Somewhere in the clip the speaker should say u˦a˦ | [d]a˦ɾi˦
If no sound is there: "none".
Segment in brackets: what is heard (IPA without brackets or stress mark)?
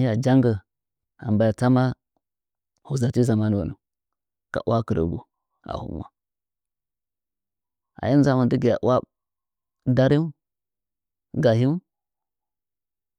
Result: d